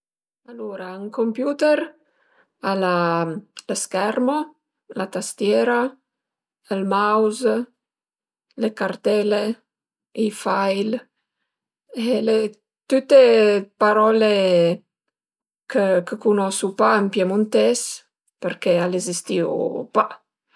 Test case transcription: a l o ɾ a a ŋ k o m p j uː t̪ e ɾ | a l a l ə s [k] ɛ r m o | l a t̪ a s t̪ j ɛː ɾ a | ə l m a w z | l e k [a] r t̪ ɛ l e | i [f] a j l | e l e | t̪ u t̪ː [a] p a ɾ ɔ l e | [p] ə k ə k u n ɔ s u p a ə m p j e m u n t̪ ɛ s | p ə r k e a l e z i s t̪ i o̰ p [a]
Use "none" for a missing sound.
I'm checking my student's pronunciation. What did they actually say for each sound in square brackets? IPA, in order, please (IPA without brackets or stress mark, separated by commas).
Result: k, a, f, e, k, a